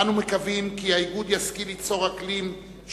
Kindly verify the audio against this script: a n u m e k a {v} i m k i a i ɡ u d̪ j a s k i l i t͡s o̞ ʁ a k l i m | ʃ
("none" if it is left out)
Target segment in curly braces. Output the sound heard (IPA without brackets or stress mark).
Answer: v